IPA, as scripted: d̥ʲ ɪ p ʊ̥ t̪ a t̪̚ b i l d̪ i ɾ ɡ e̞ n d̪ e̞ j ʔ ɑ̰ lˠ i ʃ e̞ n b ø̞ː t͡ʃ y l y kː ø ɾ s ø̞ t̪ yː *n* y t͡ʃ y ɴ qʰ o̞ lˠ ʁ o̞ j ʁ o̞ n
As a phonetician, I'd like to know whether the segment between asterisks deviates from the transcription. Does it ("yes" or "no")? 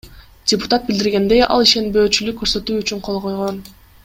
yes